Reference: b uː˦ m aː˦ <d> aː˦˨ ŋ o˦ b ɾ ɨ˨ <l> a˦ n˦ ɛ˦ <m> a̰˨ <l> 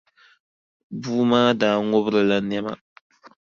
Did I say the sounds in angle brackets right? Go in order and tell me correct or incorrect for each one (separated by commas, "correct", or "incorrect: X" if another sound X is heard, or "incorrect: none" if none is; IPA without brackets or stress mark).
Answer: correct, correct, correct, incorrect: none